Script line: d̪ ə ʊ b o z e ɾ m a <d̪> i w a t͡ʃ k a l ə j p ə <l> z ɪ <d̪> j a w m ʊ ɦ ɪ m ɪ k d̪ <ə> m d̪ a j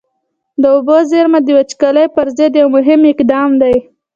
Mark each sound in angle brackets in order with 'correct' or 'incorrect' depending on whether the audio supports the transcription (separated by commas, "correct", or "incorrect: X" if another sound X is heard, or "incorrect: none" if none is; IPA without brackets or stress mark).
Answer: correct, incorrect: ɾ, correct, incorrect: ɑ